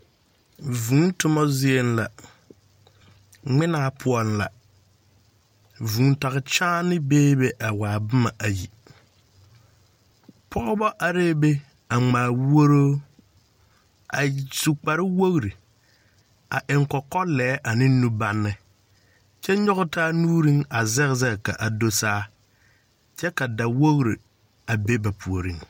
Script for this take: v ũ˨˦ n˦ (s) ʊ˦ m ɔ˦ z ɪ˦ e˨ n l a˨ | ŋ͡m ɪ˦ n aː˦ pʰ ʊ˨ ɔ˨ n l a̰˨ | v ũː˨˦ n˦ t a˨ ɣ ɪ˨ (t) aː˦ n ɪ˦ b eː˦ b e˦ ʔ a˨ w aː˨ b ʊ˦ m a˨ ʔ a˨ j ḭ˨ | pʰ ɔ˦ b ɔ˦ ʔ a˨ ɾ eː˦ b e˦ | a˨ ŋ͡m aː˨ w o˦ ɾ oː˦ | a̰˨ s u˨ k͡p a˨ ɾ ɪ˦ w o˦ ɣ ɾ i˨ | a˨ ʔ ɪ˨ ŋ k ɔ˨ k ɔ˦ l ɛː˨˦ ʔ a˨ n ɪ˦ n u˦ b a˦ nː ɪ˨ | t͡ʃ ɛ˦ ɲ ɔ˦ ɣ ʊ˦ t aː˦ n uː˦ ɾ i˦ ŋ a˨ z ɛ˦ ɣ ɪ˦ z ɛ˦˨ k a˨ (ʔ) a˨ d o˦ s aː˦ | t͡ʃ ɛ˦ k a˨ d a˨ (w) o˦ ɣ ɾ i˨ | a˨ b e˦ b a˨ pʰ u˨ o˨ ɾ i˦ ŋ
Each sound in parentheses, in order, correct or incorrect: incorrect, incorrect, correct, correct

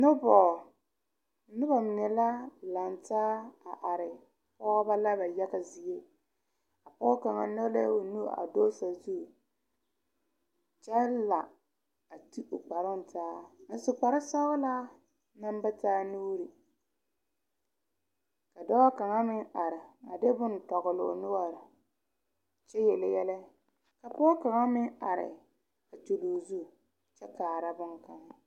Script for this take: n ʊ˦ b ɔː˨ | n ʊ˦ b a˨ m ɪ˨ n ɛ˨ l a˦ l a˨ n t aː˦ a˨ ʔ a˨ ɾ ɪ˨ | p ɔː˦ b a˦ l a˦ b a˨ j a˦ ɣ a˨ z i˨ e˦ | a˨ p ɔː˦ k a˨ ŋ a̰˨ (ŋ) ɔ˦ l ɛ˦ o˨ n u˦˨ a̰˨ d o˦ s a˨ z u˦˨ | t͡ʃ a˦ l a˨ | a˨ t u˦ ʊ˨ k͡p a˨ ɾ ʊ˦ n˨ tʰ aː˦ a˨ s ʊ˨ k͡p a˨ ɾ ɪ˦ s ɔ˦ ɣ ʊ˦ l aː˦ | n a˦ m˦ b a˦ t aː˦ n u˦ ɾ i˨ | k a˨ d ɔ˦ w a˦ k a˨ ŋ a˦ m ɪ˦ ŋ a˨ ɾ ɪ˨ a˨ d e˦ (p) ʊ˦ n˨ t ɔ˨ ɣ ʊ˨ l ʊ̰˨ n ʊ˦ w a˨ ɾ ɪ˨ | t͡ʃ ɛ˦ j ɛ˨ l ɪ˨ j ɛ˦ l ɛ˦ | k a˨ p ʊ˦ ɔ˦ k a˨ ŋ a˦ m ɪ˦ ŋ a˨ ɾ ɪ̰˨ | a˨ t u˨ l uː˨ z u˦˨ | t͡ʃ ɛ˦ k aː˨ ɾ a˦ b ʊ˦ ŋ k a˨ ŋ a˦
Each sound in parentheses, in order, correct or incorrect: incorrect, incorrect

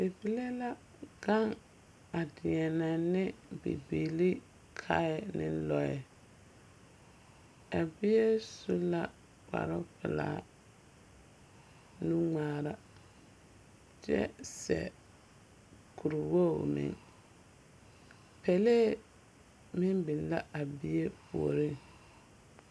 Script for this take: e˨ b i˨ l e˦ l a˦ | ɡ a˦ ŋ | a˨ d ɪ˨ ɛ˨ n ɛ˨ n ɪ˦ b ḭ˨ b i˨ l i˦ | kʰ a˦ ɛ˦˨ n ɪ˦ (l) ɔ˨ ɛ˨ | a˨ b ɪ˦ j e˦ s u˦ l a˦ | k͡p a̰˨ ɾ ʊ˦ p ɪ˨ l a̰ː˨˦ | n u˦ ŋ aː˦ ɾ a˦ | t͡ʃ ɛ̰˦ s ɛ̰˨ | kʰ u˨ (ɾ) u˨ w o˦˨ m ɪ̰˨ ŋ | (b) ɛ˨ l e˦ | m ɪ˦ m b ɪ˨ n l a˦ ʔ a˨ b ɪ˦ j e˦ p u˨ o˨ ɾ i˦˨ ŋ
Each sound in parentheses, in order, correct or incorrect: correct, correct, incorrect

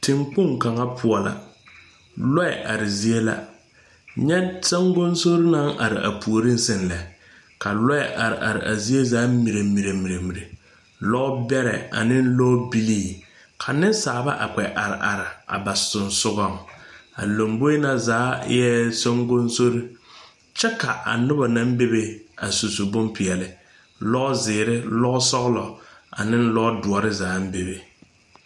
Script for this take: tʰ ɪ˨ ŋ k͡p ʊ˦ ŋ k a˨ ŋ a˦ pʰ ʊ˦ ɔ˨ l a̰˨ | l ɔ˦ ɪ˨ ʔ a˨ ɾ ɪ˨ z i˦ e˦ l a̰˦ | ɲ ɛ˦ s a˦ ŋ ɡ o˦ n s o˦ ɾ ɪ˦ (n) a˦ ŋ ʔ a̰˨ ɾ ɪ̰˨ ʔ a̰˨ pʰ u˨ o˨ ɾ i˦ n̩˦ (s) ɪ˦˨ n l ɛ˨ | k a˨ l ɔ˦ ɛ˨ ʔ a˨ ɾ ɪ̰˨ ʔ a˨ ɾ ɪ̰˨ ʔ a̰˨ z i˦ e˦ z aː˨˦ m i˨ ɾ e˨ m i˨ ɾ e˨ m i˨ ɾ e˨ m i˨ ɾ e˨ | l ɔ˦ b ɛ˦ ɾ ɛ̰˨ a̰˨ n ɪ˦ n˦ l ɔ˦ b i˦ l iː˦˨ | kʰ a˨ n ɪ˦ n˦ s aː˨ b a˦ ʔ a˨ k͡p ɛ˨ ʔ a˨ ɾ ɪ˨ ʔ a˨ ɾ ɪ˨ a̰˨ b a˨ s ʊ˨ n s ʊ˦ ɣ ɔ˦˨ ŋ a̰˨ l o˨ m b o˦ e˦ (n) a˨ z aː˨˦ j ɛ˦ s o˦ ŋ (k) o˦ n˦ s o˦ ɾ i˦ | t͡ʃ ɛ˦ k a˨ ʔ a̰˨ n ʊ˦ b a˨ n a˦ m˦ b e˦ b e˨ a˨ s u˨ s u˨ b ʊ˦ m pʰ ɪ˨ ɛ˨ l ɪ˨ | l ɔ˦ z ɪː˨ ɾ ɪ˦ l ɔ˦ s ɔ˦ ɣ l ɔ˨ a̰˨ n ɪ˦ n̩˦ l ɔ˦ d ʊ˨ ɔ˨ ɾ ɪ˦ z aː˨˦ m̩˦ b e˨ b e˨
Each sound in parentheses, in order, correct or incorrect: correct, correct, correct, incorrect

